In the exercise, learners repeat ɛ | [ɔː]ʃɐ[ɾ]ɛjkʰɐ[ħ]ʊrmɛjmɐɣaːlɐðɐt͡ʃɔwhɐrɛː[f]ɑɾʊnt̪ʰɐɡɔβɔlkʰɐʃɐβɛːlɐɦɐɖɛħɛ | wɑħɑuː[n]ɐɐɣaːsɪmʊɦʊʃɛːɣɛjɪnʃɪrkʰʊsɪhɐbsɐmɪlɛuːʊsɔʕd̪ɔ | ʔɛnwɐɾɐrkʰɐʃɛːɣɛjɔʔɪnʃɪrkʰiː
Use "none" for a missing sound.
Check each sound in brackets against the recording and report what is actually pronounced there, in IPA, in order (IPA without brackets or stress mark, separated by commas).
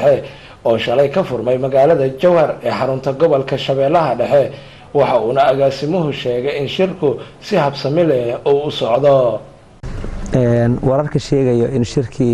ɔː, l, f, ħ, n